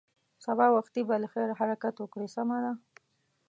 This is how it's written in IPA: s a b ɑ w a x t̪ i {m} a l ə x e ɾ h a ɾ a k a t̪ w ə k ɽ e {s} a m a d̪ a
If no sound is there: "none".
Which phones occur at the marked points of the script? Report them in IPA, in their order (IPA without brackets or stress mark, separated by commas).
b, s